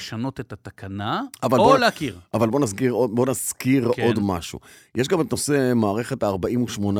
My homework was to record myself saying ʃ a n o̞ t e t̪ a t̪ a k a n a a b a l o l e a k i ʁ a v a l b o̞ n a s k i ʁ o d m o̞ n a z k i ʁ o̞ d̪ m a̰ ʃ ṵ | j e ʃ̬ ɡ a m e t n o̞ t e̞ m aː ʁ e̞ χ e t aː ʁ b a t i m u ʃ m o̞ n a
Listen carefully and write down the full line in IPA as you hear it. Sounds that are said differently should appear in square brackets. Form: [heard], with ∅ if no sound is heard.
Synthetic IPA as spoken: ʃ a n o̞ t e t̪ a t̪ a k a n a a [v] a l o l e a k i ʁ a v a l b o̞ n a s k i ʁ o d [b] o̞ n a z k i ʁ o̞ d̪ m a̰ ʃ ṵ | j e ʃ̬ ɡ a m e t n o̞ [s] e̞ m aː ʁ e̞ χ e t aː ʁ b a [∅] i m u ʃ m o̞ n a